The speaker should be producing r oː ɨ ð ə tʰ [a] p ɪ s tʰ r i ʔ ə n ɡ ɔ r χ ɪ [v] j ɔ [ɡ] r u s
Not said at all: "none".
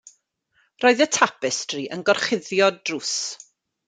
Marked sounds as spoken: a, ð, d

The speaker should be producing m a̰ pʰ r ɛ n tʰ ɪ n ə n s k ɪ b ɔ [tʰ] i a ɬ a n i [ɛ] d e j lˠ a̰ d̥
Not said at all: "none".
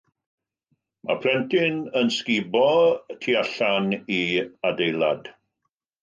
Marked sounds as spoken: tʰ, a

